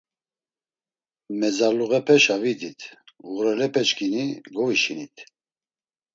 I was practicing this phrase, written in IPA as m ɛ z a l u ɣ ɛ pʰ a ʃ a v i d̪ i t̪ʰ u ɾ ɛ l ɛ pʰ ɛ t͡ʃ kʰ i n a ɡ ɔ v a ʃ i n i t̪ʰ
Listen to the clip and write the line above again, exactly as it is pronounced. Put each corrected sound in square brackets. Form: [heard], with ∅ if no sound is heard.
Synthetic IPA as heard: m ɛ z a l u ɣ ɛ pʰ [ɛ] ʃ a v i d̪ i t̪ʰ u ɾ ɛ l ɛ pʰ ɛ t͡ʃ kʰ i n [i] ɡ ɔ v [i] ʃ i n i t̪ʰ

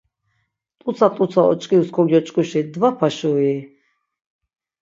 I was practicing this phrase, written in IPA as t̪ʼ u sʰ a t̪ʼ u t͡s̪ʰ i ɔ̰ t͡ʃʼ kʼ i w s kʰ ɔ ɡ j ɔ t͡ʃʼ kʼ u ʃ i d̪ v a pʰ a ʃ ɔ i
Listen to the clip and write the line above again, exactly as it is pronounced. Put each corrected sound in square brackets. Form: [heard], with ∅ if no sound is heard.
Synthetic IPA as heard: t̪ʼ u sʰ a t̪ʼ u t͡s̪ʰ [a] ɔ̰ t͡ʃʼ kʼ i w s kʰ ɔ ɡ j ɔ t͡ʃʼ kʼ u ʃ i d̪ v a pʰ a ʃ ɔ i

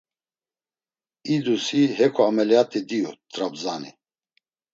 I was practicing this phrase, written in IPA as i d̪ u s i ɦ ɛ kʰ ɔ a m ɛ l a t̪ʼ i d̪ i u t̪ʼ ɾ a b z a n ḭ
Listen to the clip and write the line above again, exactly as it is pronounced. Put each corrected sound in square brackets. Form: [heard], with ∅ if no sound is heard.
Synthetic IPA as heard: i d̪ u s i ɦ ɛ kʰ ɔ a m ɛ l a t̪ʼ i d̪ i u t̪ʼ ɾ a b z a n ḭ

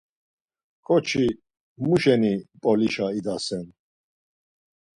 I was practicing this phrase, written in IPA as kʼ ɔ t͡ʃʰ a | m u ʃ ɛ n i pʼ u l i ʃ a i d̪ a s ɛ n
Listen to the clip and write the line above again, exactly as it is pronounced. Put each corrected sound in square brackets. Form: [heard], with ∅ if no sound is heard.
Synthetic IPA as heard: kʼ ɔ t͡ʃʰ [i] | m u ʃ ɛ n i pʼ [ɔ] l i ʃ a i d̪ a s ɛ n

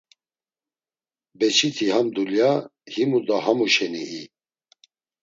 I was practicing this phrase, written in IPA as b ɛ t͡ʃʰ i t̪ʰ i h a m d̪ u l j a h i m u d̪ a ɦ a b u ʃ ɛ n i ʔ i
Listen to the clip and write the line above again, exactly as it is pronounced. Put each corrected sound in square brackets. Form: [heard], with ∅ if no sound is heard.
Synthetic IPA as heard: b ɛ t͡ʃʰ i t̪ʰ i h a m d̪ u l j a h i m u d̪ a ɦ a [m] u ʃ ɛ n i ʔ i

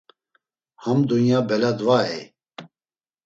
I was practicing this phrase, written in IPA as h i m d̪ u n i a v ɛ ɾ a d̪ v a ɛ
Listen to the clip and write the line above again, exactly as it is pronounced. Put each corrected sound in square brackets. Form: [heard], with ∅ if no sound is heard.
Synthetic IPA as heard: h [a] m d̪ u n [j] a [b] ɛ [l] a d̪ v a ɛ

